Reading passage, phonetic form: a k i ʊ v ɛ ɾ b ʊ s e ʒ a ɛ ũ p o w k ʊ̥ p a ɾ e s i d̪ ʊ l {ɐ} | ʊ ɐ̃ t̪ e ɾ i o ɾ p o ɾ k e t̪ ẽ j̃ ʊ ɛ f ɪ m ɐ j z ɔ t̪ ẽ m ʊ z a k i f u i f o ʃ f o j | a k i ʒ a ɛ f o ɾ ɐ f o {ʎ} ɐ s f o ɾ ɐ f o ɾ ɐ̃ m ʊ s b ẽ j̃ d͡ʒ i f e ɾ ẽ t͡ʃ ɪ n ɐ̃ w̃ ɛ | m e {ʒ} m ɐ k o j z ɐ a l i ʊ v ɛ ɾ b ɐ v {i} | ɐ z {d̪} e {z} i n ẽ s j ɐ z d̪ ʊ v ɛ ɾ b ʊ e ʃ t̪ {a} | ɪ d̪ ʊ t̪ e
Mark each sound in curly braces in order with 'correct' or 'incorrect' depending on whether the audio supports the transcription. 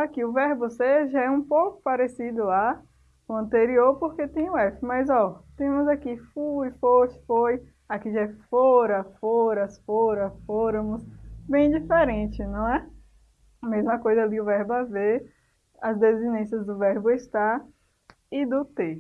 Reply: incorrect: a, incorrect: ɾ, incorrect: z, incorrect: e, correct, correct, correct

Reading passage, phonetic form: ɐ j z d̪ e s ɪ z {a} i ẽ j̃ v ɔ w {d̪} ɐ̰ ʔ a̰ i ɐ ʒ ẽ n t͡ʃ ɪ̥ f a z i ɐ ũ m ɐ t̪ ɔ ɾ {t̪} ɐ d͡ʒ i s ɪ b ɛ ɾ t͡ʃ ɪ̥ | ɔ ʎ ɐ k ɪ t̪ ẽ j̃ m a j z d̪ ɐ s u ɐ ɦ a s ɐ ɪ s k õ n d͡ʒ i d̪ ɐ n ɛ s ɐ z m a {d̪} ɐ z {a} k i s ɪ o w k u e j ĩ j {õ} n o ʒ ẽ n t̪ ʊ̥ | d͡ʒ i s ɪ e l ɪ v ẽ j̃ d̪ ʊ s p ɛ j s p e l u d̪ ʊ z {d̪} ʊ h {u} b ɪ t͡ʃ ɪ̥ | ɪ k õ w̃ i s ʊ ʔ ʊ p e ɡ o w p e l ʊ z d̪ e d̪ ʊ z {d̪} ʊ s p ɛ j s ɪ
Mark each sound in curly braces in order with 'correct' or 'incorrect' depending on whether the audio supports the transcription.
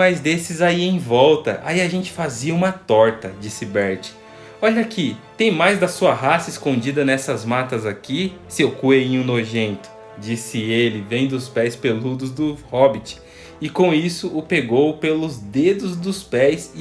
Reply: correct, incorrect: t̪, correct, incorrect: t̪, correct, incorrect: ũ, correct, incorrect: ɔ, correct

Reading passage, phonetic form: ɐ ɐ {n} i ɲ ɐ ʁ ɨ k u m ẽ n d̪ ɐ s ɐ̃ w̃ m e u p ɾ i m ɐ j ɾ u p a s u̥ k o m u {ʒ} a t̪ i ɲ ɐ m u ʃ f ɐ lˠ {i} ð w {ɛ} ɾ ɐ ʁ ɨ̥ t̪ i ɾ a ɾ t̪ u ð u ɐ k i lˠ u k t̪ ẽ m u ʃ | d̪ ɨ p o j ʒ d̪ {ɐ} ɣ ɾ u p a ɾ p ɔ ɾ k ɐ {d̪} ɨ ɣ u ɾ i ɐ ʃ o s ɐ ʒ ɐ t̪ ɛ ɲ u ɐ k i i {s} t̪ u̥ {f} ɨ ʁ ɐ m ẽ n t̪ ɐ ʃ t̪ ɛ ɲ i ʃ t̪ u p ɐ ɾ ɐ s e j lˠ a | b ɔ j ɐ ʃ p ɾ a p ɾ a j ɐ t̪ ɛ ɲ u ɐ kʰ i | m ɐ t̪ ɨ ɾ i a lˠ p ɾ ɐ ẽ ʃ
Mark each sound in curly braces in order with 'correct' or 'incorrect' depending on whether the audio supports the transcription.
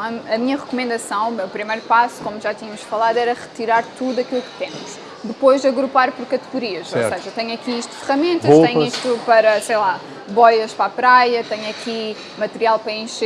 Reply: incorrect: m, correct, incorrect: a, correct, correct, incorrect: t̪, incorrect: ʃ, correct

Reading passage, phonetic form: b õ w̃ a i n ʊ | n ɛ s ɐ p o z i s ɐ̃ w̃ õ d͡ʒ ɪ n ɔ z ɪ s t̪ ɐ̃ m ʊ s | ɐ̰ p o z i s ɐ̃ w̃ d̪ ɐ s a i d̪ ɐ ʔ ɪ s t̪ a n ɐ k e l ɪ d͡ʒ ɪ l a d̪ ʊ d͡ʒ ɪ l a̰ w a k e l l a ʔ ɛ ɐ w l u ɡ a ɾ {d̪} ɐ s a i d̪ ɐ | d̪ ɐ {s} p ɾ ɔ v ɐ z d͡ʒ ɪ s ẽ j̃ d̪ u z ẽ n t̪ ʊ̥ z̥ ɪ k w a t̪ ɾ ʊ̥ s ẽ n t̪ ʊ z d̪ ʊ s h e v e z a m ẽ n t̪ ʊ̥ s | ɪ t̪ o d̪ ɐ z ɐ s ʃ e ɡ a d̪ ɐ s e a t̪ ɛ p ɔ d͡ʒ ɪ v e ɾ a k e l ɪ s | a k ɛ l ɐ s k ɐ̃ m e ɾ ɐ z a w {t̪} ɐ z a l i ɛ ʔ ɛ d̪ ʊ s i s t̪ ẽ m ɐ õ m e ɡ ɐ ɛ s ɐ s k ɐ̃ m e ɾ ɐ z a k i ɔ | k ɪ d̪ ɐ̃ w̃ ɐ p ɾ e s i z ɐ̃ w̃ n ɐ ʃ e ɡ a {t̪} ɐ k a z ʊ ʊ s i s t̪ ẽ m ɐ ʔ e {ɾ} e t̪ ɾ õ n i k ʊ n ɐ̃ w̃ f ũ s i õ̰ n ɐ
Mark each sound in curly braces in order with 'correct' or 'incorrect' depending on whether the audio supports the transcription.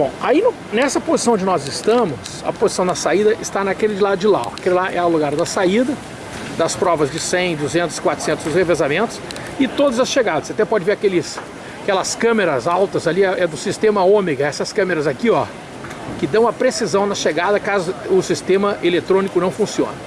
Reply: correct, correct, correct, incorrect: d̪, incorrect: l

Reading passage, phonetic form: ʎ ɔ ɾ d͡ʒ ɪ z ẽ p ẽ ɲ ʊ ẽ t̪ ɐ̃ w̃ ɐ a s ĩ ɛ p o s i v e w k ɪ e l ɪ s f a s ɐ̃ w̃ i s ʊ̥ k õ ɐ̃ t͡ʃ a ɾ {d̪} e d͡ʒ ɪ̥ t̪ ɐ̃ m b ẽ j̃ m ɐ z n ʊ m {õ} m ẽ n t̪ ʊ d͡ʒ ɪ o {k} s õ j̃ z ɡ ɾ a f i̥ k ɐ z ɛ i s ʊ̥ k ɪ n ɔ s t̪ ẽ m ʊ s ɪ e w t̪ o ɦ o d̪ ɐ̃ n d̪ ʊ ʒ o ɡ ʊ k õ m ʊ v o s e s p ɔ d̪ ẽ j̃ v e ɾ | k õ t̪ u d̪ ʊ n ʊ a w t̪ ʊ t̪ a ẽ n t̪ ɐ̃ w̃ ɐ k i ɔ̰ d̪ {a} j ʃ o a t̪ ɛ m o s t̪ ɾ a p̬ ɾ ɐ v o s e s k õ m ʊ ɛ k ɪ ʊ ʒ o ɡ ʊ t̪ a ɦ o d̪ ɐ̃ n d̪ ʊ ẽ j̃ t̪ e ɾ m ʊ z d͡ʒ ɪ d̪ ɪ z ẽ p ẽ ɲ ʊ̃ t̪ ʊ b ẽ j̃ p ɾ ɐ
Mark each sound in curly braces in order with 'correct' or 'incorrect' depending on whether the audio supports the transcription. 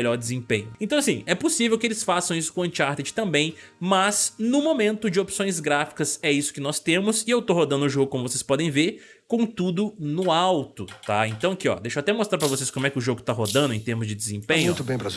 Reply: incorrect: t̪, incorrect: o, incorrect: p, incorrect: e

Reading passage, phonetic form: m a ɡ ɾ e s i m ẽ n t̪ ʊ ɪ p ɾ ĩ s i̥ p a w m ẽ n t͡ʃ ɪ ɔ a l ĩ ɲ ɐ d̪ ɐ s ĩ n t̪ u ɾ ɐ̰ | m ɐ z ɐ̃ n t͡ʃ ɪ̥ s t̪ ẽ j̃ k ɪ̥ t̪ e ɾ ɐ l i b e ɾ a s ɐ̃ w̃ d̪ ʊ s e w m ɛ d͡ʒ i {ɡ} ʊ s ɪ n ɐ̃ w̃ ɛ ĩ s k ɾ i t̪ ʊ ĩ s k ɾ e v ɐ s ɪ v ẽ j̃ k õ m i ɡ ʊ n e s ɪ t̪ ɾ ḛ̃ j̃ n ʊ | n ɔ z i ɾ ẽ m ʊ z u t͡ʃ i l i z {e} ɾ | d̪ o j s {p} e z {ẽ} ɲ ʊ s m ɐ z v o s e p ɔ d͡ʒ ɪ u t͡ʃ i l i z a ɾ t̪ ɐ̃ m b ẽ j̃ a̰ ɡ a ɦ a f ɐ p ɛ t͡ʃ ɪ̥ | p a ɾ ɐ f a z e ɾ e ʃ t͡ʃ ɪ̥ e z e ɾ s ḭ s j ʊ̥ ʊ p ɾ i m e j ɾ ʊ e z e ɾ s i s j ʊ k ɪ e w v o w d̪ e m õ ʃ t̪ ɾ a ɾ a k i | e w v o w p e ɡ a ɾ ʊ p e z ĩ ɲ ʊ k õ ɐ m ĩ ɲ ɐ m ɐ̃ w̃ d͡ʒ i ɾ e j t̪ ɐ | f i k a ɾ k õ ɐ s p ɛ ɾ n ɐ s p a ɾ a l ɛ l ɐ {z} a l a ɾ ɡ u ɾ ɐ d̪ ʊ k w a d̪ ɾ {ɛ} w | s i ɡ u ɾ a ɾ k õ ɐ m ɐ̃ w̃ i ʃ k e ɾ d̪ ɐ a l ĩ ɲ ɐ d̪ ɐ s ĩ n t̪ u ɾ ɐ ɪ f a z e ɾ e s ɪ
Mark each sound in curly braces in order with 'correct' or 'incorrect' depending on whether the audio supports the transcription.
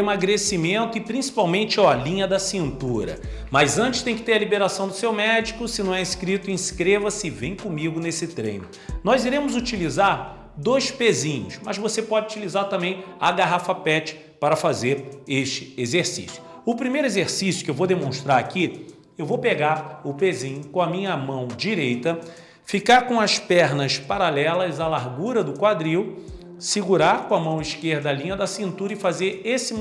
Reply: incorrect: k, incorrect: a, correct, incorrect: ĩ, correct, incorrect: i

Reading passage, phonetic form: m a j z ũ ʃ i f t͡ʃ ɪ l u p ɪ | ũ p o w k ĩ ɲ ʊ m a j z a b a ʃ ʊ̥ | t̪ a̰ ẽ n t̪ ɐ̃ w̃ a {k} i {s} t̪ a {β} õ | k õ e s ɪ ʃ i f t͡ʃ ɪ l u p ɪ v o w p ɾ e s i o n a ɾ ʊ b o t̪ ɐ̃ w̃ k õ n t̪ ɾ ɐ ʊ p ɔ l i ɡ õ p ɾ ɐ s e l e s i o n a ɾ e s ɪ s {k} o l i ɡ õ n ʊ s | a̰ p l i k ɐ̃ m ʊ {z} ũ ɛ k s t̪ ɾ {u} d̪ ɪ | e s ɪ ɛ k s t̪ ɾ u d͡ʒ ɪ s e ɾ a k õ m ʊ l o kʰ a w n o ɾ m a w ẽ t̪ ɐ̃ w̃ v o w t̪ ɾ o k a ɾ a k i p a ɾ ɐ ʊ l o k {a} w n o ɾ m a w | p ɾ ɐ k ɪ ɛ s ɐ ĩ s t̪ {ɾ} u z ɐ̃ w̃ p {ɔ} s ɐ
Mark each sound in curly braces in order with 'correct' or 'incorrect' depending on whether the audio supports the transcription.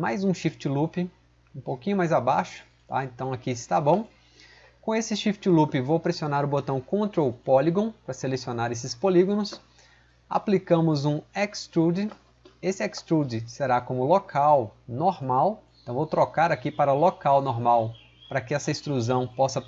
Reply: correct, correct, incorrect: b, incorrect: p, correct, correct, correct, correct, correct

